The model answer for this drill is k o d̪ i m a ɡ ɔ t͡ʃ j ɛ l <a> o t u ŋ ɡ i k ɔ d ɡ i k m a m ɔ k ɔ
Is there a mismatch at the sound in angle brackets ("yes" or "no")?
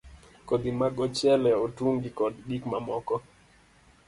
yes